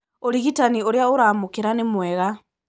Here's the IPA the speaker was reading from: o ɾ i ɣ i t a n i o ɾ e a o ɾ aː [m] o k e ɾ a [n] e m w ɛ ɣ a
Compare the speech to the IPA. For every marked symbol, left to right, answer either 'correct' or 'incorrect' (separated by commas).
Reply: correct, correct